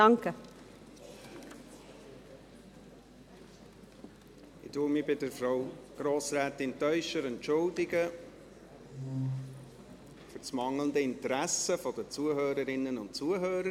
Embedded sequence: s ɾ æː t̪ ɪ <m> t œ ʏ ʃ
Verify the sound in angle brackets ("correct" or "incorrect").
incorrect